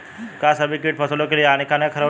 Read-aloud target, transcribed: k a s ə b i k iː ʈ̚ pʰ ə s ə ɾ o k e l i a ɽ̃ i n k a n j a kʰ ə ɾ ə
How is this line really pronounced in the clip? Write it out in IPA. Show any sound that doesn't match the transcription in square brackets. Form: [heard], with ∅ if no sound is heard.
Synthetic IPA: k a s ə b i k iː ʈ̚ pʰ ə s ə [l] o k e l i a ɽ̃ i [∅] k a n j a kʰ ə ɾ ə